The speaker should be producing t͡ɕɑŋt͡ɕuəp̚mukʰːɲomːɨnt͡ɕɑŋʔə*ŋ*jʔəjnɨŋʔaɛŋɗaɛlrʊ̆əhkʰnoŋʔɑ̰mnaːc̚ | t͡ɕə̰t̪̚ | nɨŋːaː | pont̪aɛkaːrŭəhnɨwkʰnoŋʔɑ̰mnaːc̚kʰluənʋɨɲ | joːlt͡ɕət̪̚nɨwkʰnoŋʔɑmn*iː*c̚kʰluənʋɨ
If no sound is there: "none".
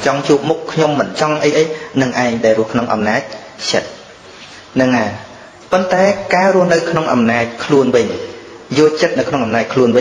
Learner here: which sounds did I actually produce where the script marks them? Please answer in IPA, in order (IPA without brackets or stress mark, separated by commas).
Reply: none, aː